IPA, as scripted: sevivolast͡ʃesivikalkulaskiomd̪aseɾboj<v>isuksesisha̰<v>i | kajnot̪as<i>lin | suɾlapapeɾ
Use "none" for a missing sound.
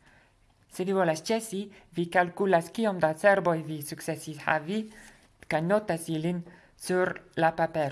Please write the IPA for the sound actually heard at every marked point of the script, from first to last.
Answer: v, v, i

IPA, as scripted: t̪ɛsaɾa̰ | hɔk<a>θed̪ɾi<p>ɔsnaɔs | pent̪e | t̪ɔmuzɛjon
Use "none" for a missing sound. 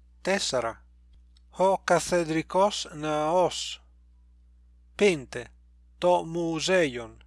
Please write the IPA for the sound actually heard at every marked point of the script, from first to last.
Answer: a, k

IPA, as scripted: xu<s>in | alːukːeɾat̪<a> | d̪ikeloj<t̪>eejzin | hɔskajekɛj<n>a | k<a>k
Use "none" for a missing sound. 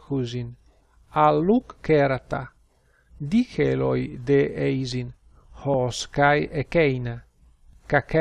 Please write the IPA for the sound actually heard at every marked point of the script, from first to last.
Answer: z, a, d̪, n, a

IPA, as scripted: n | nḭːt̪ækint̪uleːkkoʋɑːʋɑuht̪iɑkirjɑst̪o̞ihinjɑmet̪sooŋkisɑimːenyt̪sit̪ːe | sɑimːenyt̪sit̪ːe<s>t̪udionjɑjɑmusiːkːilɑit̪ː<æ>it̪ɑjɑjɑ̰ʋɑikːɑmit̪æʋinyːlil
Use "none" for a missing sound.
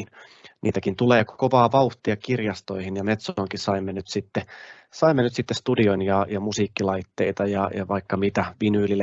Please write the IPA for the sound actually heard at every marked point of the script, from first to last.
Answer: s, e

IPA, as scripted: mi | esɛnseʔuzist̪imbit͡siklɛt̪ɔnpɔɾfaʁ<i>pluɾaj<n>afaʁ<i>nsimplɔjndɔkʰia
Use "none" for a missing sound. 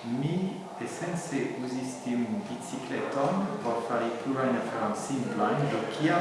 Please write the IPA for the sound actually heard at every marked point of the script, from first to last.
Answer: i, n, a

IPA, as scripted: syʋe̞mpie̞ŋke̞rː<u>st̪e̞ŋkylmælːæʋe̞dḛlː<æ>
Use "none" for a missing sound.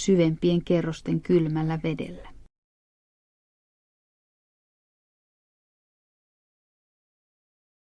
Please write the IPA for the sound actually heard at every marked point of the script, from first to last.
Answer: o, æ

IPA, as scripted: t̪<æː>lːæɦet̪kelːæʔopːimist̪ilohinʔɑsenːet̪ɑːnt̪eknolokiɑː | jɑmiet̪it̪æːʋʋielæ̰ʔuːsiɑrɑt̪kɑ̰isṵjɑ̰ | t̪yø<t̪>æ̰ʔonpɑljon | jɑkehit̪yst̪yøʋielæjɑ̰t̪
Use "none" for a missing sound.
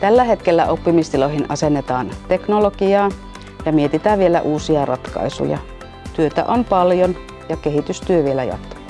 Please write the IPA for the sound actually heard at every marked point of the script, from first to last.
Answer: æ, t̪

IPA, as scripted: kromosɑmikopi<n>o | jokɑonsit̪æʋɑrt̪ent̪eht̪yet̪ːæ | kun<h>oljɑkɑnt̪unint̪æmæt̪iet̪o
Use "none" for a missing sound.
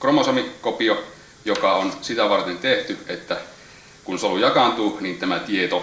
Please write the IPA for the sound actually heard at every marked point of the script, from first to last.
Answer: none, s

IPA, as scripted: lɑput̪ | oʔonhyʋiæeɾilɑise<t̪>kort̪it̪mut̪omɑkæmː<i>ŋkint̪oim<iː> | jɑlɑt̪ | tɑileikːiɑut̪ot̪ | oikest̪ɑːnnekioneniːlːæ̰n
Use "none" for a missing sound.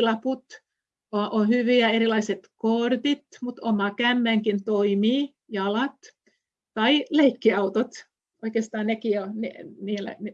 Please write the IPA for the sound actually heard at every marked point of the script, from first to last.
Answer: t̪, æ, iː

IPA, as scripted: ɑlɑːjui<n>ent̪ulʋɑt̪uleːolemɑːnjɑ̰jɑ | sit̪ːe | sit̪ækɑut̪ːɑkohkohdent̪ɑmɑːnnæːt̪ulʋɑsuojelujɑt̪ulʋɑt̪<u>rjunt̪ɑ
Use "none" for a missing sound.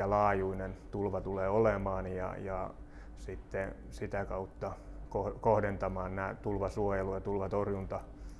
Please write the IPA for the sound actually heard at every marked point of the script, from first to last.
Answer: n, o

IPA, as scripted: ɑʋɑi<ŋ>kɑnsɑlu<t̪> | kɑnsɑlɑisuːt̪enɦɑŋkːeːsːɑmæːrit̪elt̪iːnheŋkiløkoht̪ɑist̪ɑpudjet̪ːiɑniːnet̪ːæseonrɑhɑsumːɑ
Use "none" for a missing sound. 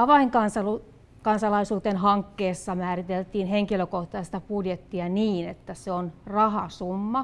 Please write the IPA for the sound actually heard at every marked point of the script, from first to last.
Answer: ŋ, none

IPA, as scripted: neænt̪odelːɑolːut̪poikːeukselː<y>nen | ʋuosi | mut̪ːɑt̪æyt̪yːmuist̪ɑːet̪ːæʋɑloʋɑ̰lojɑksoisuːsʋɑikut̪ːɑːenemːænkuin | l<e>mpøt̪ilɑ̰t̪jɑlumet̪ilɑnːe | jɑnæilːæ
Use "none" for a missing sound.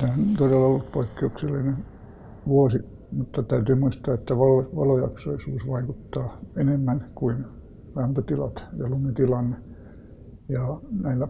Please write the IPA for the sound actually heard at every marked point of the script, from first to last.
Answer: i, æ

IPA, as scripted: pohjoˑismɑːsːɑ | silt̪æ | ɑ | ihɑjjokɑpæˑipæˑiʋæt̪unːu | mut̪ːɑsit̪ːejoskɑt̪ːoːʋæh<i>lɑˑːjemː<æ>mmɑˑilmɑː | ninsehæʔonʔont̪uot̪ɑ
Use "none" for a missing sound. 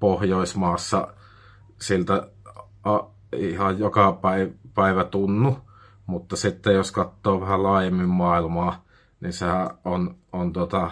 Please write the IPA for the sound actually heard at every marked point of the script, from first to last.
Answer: æ, i

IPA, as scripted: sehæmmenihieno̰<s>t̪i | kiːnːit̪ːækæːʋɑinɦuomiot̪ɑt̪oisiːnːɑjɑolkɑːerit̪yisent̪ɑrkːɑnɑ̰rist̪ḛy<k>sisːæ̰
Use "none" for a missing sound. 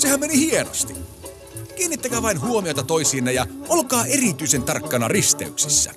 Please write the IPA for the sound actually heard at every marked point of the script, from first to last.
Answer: s, k

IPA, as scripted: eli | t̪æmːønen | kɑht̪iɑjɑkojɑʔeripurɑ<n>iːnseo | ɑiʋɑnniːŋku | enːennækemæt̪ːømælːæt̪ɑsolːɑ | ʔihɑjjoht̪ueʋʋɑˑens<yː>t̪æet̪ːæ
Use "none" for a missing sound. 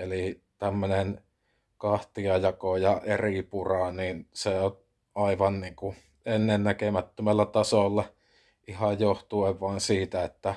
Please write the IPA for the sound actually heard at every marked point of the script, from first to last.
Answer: n, iː

